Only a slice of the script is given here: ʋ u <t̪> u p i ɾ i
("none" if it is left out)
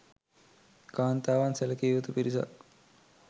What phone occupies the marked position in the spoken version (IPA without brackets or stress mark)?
t̪